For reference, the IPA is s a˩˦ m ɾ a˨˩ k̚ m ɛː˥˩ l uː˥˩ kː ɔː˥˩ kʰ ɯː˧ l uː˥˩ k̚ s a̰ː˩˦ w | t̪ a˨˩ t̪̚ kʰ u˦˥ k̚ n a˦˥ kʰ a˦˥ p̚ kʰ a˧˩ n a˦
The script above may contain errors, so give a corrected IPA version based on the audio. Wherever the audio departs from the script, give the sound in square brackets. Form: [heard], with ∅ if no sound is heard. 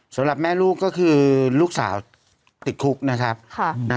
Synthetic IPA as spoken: s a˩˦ m ɾ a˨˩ [p̚] m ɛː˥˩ l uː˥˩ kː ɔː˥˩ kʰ ɯː˧ l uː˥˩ k̚ s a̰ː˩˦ w | t̪ [i˨˩] t̪̚ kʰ u˦˥ k̚ n a˦˥ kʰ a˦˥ p̚ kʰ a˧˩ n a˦